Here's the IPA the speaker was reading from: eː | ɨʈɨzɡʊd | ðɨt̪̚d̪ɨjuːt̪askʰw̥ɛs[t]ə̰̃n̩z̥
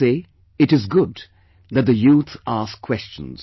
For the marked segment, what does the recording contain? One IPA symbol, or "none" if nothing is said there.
t͡ʃ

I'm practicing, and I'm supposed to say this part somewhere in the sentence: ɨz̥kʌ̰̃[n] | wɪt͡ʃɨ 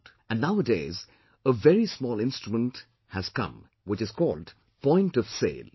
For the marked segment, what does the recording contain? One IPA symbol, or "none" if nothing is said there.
m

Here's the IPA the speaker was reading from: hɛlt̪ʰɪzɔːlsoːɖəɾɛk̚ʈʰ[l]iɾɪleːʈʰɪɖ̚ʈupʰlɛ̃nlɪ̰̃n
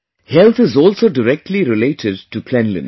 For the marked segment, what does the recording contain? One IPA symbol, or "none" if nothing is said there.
l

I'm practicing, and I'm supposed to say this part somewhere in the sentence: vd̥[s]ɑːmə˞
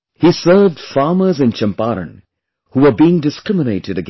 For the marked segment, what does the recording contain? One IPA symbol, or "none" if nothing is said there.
f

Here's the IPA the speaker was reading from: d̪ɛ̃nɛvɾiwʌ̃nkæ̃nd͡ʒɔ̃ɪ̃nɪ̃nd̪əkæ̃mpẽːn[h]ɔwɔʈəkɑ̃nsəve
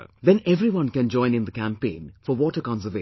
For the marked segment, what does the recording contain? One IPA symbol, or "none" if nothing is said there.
f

